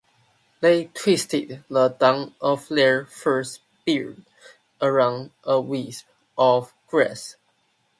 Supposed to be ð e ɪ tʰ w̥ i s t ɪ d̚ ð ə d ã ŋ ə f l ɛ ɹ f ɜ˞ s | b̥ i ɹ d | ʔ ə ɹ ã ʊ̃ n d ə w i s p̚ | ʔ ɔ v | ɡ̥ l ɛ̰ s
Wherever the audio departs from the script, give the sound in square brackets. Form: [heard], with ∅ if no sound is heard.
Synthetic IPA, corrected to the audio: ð e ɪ tʰ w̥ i s t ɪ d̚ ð ə d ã ŋ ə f l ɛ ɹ f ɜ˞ s | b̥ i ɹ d | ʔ ə ɹ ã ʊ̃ n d ə w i s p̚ | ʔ ɔ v | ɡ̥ [ɹ] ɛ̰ s